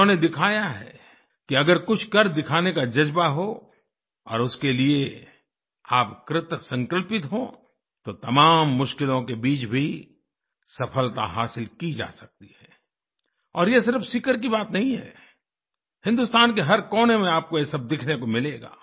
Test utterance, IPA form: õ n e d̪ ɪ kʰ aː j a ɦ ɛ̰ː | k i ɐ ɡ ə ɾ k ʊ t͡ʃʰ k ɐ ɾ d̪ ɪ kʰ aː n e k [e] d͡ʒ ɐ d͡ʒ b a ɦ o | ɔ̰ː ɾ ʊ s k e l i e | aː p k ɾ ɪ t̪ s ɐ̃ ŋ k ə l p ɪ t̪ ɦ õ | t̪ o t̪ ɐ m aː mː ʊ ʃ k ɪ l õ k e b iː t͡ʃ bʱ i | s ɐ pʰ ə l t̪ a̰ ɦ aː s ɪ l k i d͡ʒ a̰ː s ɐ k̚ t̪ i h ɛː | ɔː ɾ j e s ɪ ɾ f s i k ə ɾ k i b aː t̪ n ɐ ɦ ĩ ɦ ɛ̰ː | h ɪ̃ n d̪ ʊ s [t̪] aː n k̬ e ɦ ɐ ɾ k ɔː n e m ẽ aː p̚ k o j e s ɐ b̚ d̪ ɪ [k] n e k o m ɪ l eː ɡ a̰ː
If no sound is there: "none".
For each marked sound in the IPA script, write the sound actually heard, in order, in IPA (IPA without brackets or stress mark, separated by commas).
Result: a, t̪, kʰ